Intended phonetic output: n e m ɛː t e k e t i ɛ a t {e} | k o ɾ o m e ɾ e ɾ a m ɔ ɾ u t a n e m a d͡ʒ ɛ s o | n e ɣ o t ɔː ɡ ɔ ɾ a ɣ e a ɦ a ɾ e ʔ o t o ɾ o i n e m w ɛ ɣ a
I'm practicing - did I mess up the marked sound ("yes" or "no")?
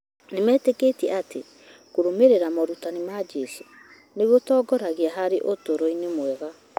no